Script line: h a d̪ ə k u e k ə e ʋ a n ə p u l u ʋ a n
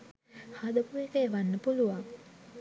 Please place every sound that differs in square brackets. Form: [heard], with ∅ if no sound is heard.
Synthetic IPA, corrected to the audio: h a d̪ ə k u e k ə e ʋ a [nː] ə p u l u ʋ a [ŋ]